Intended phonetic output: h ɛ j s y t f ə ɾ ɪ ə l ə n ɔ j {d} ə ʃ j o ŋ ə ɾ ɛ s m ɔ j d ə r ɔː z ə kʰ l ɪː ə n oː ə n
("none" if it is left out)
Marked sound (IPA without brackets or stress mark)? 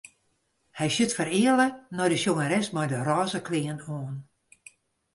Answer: d